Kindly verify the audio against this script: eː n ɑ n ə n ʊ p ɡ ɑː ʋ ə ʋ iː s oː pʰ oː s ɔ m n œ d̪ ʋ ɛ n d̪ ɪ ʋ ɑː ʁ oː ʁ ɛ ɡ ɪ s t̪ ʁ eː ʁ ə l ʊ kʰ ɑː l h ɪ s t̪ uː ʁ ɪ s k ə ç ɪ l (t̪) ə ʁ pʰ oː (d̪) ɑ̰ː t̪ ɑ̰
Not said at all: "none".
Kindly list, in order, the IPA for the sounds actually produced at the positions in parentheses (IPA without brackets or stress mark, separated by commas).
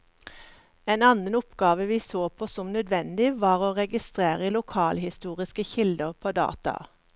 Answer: d̪, d̪